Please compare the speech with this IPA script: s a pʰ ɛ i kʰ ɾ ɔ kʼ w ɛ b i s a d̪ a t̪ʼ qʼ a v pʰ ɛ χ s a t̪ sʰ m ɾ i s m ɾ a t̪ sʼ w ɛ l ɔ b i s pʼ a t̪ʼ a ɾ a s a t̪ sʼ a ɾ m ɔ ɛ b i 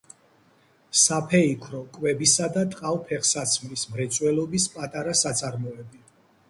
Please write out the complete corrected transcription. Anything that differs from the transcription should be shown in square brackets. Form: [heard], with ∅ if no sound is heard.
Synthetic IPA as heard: s a pʰ ɛ i kʰ ɾ ɔ kʼ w ɛ b i s a d̪ a t̪ʼ qʼ a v pʰ ɛ χ s a t̪ sʰ m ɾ i s m ɾ [ɛ] t̪ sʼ w ɛ l ɔ b i s pʼ a t̪ʼ a ɾ a s a t̪ sʼ a ɾ m ɔ ɛ b i